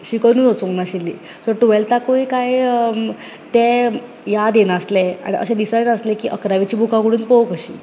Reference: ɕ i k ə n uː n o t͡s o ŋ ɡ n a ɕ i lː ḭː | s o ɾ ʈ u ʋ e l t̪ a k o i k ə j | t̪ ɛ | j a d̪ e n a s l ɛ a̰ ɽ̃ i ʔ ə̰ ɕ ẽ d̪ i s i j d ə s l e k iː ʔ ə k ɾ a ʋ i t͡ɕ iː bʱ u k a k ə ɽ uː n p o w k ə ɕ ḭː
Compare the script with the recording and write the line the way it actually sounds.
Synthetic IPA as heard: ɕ i k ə n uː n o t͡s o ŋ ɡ n a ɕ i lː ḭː | s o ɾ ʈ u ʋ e l t̪ a k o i k a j | t̪ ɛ | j a d̪ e n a s l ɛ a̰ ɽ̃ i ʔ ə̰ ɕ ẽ d̪ i s a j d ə s l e k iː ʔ ə k ɾ a ʋ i t͡ɕ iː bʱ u k a k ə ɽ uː n p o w k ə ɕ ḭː